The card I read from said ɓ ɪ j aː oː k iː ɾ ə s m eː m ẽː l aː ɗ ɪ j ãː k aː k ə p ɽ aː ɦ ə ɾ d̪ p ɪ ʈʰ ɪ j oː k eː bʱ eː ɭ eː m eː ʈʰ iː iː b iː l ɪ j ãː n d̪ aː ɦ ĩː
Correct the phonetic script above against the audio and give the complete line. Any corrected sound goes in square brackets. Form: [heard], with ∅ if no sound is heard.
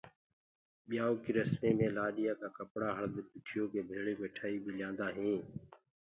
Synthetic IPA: ɓ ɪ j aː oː k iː ɾ ə s m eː m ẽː l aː ɗ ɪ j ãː k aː k ə p ɽ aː ɦ ə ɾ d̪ p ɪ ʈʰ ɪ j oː k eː bʱ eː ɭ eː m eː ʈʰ [aː] iː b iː l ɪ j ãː n d̪ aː ɦ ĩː